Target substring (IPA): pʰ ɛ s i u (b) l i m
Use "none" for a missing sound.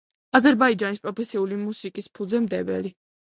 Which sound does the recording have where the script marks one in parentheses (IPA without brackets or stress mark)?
none